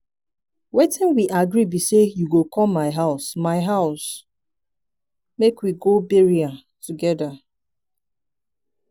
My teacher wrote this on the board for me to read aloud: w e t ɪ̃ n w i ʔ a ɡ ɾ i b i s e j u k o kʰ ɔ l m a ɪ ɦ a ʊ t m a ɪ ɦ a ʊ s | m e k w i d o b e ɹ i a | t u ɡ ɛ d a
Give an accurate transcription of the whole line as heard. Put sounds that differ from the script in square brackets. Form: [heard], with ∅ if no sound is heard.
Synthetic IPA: w e t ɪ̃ n w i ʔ a ɡ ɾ i b i s e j u [ɡ] o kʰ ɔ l m a ɪ ɦ a ʊ [s] m a ɪ ɦ a ʊ s | m e k w i [ɡ] o b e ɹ i a | t u ɡ ɛ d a